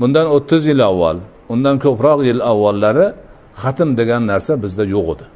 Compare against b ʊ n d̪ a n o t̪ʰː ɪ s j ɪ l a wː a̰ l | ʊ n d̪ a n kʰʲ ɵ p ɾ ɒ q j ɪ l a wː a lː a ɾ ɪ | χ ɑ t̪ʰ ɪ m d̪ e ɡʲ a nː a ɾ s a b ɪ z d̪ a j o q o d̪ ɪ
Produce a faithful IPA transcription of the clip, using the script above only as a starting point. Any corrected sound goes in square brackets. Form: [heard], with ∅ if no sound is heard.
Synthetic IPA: b ʊ n d̪ a n o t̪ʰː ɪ [z] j ɪ l a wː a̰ l | ʊ n d̪ a n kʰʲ ɵ p ɾ ɒ q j ɪ l a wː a lː a ɾ ɪ | χ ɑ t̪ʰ ɪ m d̪ e ɡʲ a nː a ɾ s a b ɪ z d̪ a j o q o d̪ ɪ